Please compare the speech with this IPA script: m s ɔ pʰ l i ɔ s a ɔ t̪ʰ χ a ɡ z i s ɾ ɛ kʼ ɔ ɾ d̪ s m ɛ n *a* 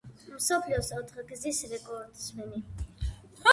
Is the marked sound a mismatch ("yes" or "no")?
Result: yes